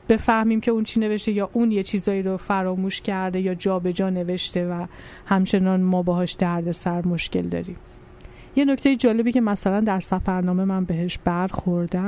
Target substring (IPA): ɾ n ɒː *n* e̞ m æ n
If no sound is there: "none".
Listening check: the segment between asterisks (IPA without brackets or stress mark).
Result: m